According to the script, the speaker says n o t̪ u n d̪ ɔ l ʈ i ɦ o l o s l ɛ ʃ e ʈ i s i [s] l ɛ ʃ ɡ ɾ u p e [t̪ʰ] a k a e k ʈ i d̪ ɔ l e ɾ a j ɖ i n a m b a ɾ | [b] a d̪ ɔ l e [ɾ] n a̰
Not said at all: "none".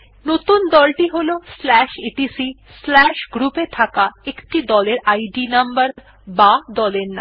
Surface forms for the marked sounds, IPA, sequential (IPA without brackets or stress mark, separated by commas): s, t̪ʰ, b, ɾ